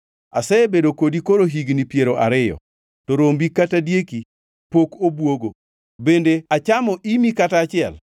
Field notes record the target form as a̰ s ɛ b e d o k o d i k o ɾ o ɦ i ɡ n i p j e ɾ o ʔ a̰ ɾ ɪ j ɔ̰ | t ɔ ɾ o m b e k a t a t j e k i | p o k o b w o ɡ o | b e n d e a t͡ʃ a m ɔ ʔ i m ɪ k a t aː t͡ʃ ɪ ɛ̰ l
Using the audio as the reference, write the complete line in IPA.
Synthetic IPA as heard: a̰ s ɛ b e d o k o d i k o ɾ o ɦ i ɡ n i p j e ɾ o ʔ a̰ ɾ ɪ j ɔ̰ | t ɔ ɾ o m b i k a t a d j e k i | p o k o b w o ɡ o | b e n d e a t͡ʃ a m ɔ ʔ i m i k a t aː t͡ʃ ɪ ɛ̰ l